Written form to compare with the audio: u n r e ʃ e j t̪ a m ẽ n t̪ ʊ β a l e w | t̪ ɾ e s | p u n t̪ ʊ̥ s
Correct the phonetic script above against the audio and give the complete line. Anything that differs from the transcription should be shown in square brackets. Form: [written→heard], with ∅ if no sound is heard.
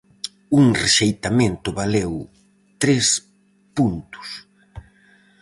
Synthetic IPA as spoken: u [n→ŋ] r e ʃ e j t̪ a m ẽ n t̪ ʊ β a l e w | t̪ ɾ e s | p u n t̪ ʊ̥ s